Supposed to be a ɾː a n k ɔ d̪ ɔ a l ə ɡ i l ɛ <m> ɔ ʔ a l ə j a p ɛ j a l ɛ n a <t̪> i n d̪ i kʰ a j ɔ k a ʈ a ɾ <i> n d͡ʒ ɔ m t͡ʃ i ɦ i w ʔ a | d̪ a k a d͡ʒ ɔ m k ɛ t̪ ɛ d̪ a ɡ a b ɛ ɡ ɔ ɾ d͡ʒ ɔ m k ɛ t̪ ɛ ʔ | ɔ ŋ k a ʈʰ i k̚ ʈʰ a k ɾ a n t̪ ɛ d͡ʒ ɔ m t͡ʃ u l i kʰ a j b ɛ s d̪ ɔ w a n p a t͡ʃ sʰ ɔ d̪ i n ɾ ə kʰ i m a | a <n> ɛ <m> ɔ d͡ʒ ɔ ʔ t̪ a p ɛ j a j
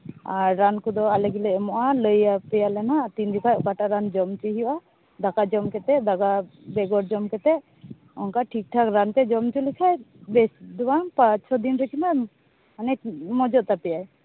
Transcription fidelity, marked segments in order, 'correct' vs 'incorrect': correct, correct, incorrect: a, correct, correct

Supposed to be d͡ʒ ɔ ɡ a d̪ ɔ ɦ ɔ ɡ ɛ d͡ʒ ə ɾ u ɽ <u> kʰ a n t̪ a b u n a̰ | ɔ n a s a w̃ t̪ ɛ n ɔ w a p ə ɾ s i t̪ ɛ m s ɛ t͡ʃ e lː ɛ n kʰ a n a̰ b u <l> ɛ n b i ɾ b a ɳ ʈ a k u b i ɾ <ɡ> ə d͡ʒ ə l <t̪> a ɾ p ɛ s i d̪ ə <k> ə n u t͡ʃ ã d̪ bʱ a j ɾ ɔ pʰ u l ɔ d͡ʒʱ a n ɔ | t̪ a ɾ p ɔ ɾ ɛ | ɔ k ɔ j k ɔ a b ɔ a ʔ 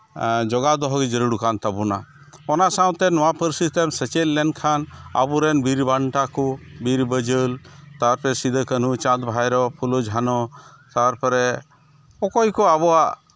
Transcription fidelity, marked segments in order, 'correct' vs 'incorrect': correct, incorrect: ɾ, incorrect: b, correct, correct

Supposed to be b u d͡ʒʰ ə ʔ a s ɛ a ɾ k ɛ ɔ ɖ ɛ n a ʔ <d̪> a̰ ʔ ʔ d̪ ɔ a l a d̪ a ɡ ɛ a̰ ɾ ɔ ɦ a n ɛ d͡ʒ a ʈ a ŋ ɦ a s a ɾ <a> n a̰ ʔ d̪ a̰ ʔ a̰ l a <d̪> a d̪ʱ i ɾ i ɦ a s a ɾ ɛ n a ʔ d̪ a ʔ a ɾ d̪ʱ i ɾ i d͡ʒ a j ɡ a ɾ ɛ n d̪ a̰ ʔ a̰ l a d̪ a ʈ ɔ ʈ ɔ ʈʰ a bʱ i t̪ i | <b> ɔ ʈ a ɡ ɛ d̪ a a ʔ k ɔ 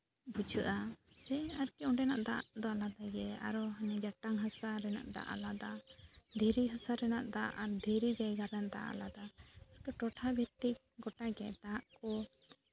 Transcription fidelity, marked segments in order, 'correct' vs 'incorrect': correct, incorrect: ɛ, correct, incorrect: ɡ

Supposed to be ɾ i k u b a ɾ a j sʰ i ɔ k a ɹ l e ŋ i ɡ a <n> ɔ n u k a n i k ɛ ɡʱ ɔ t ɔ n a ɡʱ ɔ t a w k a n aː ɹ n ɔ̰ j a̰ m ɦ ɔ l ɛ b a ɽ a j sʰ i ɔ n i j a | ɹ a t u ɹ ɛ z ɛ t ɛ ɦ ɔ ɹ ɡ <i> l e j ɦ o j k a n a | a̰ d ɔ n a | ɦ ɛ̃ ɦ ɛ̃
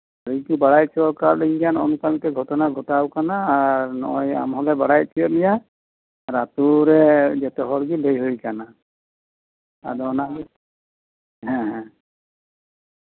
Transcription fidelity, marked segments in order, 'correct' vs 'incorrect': correct, correct

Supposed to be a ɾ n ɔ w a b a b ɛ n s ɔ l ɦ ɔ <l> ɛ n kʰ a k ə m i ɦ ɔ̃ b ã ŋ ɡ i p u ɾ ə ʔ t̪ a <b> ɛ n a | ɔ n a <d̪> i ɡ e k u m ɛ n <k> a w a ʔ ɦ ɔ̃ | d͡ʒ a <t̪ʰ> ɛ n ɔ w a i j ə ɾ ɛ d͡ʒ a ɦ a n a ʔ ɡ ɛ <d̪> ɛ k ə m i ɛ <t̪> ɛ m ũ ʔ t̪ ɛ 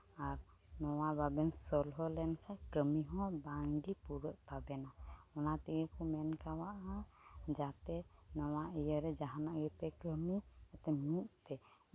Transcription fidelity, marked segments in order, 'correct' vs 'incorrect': correct, correct, incorrect: t̪, correct, incorrect: t̪, incorrect: t̪, correct

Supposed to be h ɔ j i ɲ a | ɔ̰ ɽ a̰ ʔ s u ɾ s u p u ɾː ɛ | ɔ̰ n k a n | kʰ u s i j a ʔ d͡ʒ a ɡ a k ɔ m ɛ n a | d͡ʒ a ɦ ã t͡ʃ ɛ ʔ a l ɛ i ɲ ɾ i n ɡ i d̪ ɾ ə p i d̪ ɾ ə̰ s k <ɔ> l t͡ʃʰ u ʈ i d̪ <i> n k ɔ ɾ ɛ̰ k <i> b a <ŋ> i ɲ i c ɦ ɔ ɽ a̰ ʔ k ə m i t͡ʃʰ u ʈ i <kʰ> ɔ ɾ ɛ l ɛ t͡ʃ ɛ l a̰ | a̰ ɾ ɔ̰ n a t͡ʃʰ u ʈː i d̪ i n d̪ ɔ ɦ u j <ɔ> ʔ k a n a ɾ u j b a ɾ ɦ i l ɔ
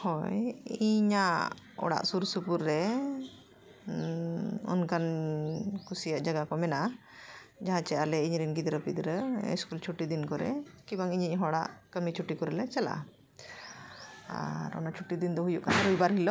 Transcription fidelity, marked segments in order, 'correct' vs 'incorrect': incorrect: u, correct, correct, correct, incorrect: k, incorrect: u

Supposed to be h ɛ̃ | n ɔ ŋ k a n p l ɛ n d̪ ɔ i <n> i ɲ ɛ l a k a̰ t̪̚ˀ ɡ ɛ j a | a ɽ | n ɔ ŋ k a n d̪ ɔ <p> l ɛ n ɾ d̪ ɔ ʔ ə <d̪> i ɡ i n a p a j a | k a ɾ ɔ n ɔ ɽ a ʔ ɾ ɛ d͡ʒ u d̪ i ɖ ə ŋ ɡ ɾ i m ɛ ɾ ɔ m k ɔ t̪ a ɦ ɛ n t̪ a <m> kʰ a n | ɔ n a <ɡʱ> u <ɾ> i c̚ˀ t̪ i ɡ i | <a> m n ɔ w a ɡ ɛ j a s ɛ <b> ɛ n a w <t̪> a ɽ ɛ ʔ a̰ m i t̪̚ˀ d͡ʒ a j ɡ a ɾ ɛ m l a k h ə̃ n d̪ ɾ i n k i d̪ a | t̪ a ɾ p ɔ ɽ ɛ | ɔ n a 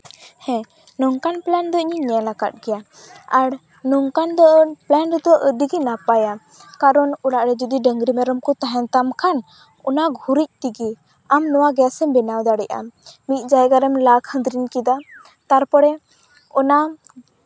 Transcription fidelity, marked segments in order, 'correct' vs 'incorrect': incorrect: ɲ, correct, correct, correct, correct, correct, correct, correct, incorrect: d̪

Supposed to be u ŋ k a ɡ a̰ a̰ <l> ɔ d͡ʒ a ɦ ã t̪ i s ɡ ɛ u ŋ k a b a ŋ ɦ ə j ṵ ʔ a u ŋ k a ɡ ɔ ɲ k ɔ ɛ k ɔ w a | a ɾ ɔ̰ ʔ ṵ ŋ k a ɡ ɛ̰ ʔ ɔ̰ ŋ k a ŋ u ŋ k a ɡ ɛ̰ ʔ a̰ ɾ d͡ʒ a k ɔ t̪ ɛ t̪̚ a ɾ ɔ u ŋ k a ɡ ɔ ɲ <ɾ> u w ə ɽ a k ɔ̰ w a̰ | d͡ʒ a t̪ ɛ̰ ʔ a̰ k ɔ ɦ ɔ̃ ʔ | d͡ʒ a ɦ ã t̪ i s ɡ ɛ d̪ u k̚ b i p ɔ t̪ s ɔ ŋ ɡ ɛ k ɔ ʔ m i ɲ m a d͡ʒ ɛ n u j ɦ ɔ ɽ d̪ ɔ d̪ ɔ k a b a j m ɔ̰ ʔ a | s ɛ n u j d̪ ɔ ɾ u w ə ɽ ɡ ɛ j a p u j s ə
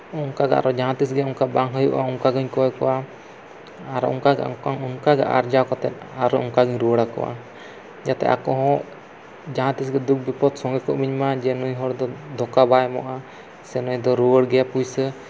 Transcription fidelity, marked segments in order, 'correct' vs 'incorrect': incorrect: ɾ, correct

